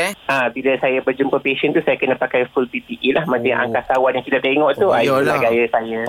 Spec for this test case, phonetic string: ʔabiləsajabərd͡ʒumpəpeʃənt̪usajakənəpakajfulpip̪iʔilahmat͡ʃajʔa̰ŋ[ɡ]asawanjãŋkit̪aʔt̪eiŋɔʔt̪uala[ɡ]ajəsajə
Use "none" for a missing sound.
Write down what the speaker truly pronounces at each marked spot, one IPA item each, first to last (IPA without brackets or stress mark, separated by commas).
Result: k, ɡ